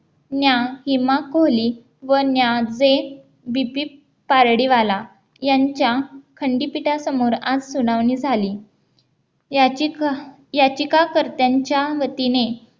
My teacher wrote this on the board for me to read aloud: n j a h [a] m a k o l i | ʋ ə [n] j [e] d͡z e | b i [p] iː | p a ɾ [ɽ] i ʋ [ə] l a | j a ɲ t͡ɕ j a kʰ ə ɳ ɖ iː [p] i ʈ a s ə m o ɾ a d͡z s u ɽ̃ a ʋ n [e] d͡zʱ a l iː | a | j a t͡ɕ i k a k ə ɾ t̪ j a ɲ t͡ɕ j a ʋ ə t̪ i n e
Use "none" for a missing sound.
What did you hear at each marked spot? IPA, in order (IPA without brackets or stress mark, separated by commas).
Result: i, n, a, p, ɽ, a, p, i